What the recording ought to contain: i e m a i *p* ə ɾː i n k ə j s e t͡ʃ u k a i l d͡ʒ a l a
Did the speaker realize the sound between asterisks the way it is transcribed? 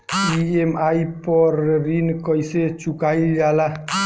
yes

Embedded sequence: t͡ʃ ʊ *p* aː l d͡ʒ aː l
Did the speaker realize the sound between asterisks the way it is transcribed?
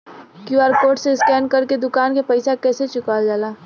no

